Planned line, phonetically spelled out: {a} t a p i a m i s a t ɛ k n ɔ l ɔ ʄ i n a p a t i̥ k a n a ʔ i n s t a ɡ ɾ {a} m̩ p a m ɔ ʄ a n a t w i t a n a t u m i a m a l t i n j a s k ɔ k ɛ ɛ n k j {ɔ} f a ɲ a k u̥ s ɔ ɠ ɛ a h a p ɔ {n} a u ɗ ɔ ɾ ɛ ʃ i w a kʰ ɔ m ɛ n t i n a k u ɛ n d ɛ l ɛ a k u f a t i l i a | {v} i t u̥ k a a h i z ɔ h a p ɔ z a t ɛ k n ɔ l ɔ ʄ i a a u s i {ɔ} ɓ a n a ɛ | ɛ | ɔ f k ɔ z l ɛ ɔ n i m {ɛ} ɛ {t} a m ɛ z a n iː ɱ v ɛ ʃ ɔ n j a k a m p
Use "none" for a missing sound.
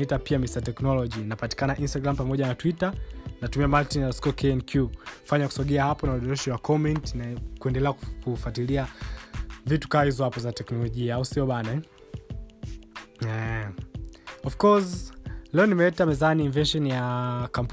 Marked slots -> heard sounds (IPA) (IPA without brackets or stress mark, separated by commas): i, a, u, n, v, ɔ, ɛ, t